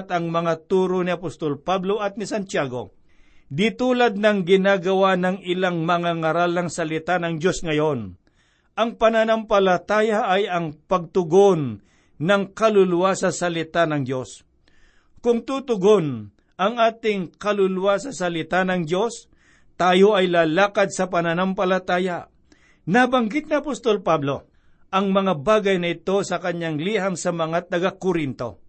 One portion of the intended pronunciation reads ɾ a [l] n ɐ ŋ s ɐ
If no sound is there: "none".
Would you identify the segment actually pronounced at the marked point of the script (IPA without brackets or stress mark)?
l